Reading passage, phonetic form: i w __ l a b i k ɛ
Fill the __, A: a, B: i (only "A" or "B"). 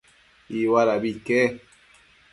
A